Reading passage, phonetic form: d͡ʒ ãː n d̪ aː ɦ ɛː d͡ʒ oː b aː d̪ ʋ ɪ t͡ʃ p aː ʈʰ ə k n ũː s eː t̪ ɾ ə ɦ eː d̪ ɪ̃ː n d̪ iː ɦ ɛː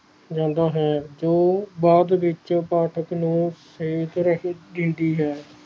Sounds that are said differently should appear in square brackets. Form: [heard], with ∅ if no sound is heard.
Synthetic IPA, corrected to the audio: d͡ʒ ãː n d̪ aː ɦ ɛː d͡ʒ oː b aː d̪ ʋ ɪ t͡ʃ p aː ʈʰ ə k n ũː s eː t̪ ɾ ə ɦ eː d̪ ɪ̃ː n d̪ iː ɦ ɛː